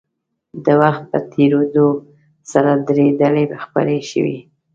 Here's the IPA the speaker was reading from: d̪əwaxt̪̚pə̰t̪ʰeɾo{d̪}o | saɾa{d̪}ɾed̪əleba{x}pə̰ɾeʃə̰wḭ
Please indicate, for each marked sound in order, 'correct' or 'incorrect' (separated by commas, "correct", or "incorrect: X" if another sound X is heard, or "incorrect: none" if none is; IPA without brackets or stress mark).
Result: correct, correct, correct